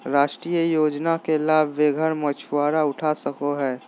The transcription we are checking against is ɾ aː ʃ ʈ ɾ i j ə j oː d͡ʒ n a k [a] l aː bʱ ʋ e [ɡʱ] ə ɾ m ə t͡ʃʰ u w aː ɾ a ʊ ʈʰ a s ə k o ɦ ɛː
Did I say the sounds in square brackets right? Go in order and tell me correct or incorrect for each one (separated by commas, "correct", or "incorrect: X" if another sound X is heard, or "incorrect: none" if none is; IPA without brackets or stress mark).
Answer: incorrect: e, correct